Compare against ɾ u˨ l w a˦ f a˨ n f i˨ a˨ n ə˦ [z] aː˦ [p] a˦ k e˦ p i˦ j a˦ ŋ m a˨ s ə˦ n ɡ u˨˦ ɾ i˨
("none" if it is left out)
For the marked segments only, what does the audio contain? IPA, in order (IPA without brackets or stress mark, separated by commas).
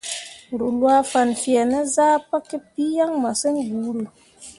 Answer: z, p